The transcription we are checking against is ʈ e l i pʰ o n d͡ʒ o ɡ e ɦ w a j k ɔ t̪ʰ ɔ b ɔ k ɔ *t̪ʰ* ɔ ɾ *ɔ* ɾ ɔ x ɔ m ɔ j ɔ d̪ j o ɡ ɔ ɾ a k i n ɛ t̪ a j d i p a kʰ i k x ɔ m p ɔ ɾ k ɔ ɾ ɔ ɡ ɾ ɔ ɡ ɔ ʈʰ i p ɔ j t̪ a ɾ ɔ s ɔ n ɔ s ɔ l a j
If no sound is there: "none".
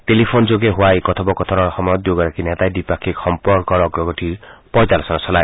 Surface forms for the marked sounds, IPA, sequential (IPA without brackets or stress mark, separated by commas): t̪ʰ, ɔ